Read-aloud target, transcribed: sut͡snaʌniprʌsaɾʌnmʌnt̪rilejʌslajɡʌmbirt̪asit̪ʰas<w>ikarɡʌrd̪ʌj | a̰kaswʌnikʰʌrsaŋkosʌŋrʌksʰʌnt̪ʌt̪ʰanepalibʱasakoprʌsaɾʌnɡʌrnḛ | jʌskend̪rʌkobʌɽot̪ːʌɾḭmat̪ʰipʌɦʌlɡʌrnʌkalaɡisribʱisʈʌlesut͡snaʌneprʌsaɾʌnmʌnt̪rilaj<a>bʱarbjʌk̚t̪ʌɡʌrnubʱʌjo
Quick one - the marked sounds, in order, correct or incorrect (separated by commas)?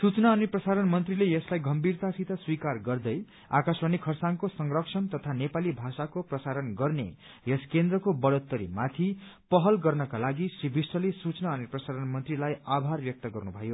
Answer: correct, correct